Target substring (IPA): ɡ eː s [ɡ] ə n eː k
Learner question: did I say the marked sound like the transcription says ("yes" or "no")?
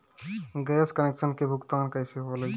no